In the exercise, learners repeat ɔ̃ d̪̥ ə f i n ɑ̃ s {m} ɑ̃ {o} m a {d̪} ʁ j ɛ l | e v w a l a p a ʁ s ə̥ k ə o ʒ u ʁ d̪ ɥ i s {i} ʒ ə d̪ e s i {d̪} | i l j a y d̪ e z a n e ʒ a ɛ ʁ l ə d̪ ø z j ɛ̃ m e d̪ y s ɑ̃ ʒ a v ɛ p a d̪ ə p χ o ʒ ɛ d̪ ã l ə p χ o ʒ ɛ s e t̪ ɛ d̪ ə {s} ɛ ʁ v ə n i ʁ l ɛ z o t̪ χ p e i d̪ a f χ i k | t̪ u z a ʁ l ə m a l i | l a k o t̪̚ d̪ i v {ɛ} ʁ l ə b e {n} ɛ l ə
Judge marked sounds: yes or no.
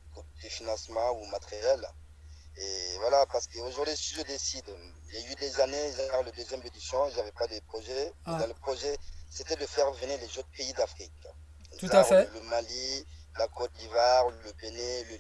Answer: yes, no, no, yes, yes, no, no, yes

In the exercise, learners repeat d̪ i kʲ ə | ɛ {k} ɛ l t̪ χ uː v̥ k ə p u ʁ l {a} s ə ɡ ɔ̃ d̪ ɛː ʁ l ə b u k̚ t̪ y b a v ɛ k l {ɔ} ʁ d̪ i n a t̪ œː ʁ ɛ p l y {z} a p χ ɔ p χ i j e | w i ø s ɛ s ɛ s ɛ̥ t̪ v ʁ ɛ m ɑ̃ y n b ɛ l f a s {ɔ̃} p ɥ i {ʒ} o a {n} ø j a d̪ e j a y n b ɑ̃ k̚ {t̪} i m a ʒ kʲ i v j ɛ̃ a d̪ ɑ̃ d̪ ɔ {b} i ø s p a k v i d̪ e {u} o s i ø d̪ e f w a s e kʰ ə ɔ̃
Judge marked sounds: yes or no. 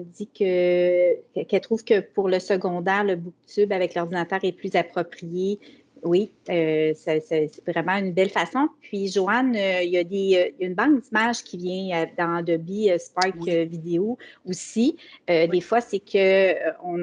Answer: yes, no, yes, yes, yes, yes, yes, no, yes, no

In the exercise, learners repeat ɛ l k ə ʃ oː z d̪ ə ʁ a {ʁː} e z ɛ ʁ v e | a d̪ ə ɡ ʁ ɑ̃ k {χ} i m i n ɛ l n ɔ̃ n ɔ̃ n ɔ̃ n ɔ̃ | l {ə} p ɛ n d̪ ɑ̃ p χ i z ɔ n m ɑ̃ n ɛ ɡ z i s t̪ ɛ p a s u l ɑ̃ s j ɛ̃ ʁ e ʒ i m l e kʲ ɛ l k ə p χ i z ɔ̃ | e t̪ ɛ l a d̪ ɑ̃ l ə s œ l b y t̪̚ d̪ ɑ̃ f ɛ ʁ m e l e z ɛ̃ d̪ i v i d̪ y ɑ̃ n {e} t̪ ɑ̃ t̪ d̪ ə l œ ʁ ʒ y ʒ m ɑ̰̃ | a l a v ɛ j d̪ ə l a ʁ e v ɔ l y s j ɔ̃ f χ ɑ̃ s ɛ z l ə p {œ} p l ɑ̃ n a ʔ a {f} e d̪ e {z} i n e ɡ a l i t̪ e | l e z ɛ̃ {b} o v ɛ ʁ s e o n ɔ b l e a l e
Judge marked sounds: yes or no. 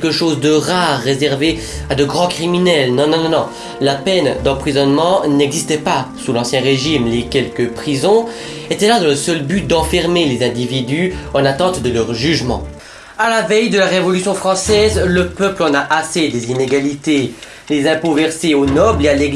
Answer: yes, yes, no, no, yes, no, yes, no

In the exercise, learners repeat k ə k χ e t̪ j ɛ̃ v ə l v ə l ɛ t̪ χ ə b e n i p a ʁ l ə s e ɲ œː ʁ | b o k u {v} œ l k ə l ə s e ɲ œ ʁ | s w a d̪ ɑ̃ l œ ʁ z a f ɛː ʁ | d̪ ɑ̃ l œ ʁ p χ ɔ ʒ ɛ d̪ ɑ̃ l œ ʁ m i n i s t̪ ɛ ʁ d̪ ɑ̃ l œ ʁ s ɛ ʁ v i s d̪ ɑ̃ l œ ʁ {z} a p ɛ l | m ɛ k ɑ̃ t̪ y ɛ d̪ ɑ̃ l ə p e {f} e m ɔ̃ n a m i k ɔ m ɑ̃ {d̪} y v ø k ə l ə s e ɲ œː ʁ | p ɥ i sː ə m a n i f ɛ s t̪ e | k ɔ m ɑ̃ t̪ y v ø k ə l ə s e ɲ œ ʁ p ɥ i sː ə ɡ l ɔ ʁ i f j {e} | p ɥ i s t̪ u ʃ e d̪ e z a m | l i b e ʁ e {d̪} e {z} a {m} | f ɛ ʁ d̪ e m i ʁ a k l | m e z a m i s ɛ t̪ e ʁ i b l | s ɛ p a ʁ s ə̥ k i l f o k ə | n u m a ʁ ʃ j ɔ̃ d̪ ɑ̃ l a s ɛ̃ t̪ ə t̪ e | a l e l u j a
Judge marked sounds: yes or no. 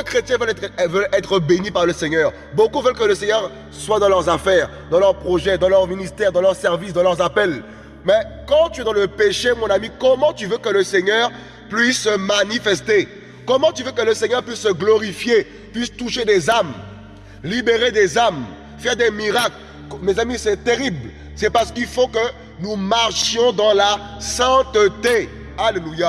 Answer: yes, yes, no, no, yes, yes, yes, yes

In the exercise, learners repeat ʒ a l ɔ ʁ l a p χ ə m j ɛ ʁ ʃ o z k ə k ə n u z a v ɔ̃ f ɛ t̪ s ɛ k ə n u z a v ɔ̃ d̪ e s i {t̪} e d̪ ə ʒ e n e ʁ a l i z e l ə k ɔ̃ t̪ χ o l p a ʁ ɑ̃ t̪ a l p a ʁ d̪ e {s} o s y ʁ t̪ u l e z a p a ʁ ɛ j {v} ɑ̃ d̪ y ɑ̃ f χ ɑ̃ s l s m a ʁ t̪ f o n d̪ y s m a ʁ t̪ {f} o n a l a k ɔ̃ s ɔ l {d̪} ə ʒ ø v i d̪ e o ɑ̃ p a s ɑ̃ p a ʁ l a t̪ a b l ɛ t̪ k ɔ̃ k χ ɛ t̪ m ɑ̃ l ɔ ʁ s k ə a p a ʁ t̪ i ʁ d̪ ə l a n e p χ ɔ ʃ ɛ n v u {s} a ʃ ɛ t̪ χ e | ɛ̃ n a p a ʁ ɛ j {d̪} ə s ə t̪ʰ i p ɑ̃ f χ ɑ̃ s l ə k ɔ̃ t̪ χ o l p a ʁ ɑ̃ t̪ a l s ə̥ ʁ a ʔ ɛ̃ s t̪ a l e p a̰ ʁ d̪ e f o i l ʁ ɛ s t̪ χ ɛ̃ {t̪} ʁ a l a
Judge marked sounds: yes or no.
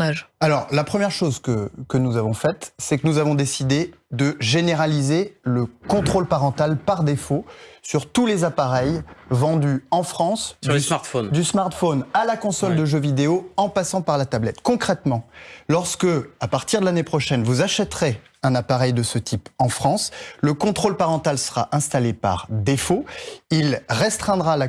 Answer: no, no, yes, yes, yes, no, yes, no

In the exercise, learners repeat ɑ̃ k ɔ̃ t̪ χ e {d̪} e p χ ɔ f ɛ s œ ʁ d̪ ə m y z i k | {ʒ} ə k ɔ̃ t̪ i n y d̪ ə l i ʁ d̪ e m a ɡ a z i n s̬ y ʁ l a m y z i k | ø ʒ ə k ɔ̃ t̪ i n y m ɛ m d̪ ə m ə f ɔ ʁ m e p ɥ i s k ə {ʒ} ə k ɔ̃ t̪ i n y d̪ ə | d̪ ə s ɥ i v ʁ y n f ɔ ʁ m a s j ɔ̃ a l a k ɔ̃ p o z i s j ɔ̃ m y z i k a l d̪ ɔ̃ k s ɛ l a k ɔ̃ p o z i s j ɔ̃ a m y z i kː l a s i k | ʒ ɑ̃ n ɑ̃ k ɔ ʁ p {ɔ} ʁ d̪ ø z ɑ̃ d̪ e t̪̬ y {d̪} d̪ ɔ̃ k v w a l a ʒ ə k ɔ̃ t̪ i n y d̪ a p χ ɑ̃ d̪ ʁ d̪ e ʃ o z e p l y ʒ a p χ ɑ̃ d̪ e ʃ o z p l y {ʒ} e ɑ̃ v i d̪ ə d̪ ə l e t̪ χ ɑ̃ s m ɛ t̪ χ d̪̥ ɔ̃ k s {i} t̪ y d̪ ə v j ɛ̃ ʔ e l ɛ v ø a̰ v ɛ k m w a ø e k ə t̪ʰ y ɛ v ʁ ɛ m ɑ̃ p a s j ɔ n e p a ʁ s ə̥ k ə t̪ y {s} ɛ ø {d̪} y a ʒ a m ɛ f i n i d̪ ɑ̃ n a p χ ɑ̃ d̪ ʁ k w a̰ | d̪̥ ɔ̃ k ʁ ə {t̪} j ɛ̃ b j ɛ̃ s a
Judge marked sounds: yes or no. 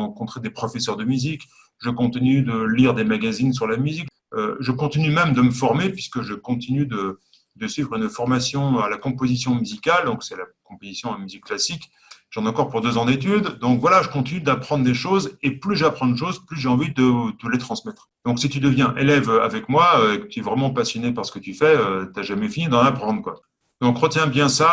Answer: yes, yes, yes, no, yes, yes, yes, no, no, yes

